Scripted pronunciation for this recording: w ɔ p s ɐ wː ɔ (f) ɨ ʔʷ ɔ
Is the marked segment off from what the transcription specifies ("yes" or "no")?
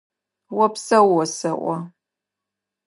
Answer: yes